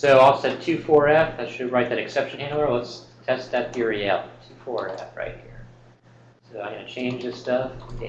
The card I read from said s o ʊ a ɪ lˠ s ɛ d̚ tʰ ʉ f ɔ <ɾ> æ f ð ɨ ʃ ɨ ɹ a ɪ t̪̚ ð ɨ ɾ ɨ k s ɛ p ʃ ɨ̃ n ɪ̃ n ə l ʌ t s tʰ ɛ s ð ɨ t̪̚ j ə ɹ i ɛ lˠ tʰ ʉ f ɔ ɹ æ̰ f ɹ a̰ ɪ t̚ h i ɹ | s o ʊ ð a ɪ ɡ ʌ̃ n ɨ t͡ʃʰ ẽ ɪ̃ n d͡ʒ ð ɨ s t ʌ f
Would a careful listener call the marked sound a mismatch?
yes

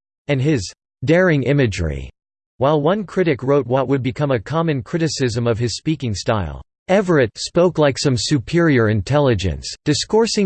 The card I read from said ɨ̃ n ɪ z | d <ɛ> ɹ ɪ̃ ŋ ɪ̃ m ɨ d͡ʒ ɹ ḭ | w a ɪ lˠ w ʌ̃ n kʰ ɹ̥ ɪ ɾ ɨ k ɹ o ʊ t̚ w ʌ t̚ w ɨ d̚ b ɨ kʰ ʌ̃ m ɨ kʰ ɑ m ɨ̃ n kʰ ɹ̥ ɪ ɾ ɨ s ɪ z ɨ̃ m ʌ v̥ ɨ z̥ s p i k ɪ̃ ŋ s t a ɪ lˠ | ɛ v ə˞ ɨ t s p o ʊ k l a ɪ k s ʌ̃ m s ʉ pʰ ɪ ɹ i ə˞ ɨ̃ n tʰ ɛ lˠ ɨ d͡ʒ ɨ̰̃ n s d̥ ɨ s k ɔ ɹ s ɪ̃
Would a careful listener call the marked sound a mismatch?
no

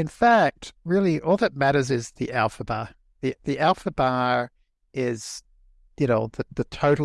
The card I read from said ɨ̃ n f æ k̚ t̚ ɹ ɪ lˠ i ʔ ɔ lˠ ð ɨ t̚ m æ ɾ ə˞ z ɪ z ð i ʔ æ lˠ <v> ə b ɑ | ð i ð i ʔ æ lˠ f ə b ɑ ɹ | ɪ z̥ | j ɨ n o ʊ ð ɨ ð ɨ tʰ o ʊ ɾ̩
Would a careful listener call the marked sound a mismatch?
yes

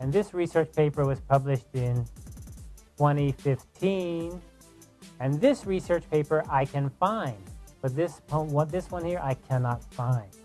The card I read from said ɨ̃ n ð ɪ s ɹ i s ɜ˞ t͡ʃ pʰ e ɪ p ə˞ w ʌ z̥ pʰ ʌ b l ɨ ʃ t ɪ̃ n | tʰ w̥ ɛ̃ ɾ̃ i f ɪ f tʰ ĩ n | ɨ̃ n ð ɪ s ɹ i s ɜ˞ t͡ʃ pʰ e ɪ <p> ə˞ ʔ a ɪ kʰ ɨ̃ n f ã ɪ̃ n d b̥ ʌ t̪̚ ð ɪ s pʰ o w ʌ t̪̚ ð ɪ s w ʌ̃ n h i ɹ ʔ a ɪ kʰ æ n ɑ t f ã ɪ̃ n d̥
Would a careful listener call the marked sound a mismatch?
no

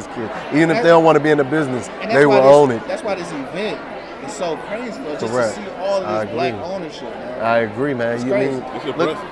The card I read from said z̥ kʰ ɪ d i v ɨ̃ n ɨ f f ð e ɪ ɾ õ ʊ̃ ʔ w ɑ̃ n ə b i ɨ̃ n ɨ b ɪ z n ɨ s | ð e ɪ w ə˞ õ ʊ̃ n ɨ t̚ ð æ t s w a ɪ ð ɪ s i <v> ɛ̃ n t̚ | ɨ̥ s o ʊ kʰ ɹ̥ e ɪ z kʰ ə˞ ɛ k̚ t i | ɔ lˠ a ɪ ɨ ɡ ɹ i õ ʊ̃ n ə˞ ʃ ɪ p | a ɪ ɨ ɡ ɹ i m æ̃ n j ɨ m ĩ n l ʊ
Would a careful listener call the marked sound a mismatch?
no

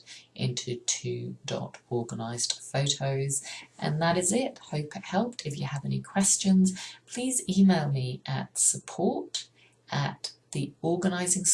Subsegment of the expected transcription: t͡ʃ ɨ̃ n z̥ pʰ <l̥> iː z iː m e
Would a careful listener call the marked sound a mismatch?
no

